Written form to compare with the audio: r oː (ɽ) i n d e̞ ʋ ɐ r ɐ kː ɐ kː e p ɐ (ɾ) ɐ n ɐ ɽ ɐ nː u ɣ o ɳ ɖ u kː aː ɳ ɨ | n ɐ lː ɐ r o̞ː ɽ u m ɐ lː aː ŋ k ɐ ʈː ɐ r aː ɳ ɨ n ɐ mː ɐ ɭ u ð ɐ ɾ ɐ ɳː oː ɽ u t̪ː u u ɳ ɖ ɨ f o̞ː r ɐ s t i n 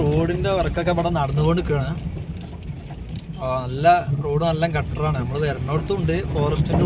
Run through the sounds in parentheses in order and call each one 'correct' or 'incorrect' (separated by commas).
correct, incorrect